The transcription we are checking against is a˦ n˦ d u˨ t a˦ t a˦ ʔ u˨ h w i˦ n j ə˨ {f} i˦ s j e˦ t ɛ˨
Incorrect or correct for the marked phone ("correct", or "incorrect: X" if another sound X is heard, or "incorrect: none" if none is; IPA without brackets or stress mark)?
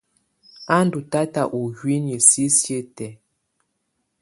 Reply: incorrect: s